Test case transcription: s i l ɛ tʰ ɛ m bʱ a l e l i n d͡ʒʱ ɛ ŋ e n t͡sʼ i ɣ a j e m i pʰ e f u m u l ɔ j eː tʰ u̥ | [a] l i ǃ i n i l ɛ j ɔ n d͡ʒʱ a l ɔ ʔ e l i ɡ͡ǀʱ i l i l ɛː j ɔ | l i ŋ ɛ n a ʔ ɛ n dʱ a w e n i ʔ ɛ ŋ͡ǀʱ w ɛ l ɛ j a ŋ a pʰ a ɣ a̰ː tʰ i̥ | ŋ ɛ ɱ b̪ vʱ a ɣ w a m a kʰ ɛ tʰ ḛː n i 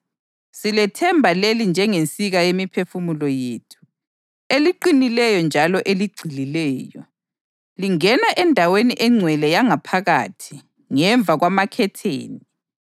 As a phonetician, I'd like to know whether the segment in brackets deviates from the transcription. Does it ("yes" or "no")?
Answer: yes